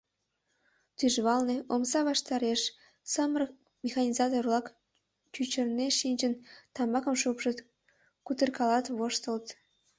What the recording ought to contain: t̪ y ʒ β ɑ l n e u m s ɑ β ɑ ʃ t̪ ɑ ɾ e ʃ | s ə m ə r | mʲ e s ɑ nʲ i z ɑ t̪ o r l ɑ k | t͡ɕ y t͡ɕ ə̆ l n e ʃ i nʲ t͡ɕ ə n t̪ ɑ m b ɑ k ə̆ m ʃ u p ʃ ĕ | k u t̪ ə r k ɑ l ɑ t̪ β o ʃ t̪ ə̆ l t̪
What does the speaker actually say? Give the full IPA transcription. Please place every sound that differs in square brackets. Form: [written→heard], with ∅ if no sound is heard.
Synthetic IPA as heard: t̪ y ʒ β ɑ l n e [u→o] m s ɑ β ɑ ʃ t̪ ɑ ɾ e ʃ | s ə m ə r | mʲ e [s→x] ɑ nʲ i z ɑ t̪ o r l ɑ k | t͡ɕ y t͡ɕ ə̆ [l→r] n e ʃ i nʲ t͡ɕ ə n t̪ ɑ m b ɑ k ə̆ m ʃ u p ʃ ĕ | k u t̪ ə r k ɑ l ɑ t̪ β o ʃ t̪ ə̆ l t̪